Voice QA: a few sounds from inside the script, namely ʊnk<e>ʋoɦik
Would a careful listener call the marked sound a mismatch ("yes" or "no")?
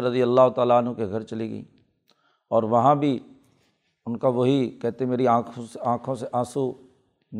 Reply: yes